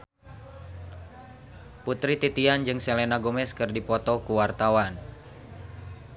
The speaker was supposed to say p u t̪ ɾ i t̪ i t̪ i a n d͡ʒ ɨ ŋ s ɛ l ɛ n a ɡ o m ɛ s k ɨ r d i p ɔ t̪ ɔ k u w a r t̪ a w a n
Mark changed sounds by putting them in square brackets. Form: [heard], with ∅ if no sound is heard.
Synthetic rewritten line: p u t̪ ɾ i t̪ i t̪ i a n d͡ʒ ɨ ŋ s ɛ l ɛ n a ɡ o m ɛ s k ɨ r d i p ɔ t̪ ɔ k u w a r t̪ a w a n